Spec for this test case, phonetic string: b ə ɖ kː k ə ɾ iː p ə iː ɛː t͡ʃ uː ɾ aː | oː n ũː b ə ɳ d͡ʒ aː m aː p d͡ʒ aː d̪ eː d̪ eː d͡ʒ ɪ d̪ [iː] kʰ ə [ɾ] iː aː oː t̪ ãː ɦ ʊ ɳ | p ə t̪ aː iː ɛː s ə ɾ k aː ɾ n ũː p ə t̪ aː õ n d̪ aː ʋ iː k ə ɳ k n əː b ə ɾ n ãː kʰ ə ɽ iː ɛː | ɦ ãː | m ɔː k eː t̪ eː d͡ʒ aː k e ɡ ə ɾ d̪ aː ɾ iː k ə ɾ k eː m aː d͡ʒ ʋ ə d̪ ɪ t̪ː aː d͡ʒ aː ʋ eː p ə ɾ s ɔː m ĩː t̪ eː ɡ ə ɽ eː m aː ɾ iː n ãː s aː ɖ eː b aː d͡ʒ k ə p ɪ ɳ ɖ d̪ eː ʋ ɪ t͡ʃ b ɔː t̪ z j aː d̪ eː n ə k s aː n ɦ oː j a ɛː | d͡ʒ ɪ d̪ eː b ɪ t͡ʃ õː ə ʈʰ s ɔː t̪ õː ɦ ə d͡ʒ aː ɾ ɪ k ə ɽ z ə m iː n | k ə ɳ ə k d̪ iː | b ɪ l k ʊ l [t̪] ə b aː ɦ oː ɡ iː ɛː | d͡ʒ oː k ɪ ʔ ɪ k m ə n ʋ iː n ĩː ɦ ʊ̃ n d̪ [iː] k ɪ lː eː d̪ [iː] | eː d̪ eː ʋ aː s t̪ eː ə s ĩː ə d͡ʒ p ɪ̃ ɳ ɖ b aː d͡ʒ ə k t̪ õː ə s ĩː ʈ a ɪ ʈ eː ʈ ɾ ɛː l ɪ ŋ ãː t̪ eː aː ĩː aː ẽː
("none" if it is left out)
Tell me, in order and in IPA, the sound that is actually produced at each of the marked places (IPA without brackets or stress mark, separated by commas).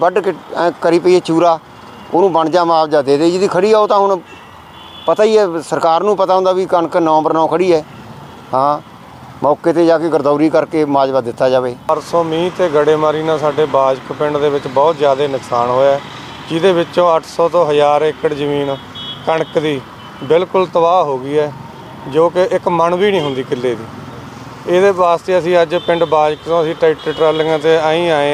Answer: iː, ɽ, t̪, iː, iː